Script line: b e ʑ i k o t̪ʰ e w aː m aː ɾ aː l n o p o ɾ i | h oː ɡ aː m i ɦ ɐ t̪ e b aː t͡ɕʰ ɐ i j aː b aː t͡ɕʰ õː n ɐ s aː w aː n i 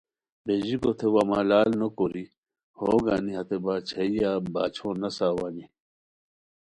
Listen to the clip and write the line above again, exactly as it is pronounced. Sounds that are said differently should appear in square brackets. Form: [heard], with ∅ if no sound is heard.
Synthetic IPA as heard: b e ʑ i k o t̪ʰ e w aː m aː [l] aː l n o [k] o ɾ i | h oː ɡ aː [n] i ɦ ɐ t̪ e b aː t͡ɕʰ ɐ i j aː b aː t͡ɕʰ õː n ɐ s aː w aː n i